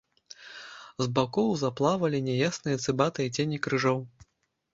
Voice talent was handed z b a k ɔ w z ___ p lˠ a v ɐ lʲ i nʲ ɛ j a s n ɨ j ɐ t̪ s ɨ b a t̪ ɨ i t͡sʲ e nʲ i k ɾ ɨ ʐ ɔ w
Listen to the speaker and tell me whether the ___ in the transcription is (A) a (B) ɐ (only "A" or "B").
A